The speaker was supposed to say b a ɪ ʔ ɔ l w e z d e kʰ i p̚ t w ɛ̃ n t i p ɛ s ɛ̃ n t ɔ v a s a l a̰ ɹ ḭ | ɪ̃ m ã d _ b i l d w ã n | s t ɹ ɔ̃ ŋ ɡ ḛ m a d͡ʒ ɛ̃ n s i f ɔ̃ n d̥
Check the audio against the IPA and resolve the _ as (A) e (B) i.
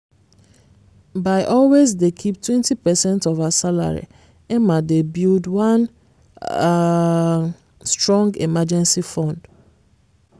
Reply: A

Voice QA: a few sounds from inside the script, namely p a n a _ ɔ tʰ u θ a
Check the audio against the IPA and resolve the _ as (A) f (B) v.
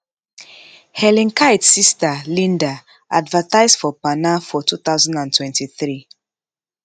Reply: A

